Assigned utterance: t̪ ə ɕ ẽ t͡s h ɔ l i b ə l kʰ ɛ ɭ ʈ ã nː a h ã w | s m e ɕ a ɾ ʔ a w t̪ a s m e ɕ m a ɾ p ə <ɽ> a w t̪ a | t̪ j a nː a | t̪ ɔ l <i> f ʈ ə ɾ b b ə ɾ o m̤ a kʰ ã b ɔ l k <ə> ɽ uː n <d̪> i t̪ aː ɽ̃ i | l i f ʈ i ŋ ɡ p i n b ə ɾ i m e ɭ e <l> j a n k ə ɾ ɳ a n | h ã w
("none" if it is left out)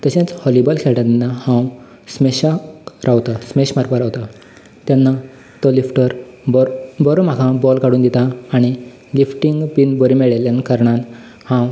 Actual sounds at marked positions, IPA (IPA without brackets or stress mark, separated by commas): ɾ, i, a, d̪, l